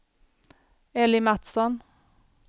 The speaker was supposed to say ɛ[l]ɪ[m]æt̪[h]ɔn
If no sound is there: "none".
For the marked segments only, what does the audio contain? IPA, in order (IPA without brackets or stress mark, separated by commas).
l, m, s